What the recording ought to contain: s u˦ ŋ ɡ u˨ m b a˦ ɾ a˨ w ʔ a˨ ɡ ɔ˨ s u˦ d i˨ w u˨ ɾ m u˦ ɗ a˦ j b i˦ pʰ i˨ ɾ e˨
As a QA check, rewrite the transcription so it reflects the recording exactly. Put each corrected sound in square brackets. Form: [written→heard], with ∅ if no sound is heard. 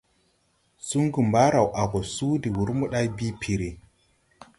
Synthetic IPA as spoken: s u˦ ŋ ɡ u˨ m b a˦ ɾ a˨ w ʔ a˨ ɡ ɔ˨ s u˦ d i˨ w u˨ ɾ m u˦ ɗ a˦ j b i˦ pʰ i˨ ɾ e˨